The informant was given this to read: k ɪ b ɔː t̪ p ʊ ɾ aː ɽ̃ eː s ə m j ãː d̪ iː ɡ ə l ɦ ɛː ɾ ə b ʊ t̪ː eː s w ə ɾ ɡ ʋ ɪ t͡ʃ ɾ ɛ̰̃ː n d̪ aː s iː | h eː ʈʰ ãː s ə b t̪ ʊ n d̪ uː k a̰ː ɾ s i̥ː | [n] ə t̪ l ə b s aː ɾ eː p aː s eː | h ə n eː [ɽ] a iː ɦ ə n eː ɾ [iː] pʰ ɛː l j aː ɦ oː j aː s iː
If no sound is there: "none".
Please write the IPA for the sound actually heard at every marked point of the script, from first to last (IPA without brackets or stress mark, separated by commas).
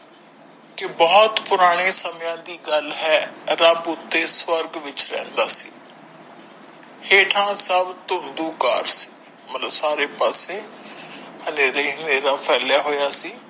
m, ɾ, aː